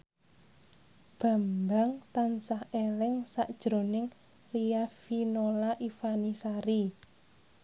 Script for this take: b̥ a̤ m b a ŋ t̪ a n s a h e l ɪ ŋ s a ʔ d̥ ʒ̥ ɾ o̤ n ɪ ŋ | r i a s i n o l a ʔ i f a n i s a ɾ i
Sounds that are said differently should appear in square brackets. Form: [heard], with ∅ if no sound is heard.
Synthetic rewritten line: b̥ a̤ m b a ŋ t̪ a n s a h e l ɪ ŋ s a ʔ d̥ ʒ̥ ɾ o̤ n ɪ ŋ | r i a [f] i n o l a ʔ i f a n i s a ɾ i